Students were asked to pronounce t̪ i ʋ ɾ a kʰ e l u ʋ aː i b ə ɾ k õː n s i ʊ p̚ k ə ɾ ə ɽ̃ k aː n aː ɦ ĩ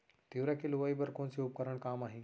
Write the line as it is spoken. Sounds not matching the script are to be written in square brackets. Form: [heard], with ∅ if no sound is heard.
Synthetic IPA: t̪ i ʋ ɾ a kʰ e l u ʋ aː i b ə ɾ k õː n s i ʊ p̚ k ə ɾ ə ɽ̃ k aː [m] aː ɦ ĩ